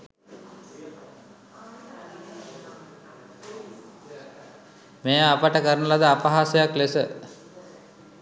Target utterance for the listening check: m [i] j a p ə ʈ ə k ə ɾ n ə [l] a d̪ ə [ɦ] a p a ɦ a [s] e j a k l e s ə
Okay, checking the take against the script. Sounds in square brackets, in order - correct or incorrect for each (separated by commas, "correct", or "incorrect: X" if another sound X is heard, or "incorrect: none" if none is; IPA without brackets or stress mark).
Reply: incorrect: e, correct, incorrect: none, correct